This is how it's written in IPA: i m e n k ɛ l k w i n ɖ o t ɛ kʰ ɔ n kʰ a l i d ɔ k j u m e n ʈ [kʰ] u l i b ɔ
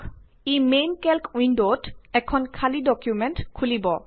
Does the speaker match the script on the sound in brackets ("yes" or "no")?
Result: yes